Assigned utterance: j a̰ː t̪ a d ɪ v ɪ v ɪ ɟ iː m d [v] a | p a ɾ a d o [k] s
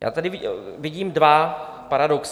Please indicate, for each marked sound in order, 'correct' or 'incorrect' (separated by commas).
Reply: correct, correct